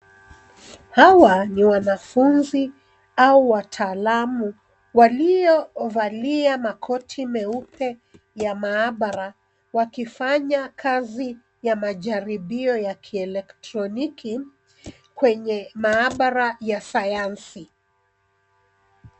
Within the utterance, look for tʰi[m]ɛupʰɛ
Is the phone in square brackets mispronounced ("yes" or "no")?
no